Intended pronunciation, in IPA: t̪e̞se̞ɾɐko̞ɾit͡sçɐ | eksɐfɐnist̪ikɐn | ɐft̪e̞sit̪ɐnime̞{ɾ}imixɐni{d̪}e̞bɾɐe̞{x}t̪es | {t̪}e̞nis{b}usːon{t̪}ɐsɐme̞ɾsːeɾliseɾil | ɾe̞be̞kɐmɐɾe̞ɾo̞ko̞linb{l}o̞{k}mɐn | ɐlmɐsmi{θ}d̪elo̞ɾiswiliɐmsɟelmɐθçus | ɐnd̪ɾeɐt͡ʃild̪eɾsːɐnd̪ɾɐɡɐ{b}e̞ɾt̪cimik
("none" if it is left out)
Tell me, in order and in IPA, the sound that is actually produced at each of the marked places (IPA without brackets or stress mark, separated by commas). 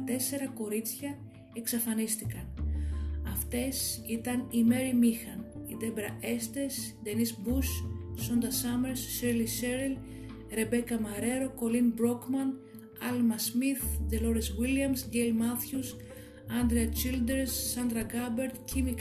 ɾ, d̪, s, d̪, b, d̪, ɾ, k, θ, b